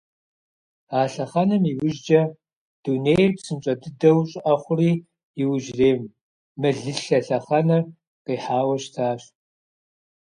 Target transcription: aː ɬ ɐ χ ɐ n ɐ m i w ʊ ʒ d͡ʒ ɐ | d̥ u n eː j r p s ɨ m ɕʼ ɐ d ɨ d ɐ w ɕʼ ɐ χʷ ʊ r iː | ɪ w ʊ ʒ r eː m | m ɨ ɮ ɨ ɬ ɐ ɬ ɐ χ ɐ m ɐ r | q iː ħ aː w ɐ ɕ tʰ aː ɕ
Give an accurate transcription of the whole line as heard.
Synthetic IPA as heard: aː ɬ ɐ χ ɐ n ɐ m i w ʊ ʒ d͡ʒ ɐ | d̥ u n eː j r p s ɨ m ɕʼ ɐ d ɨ d ɐ w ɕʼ ɐ χʷ ʊ r iː | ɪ w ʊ ʒ r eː m | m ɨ ɮ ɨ ɬ ɐ ɬ ɐ χ ɐ n ɐ r | q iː ħ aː w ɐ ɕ tʰ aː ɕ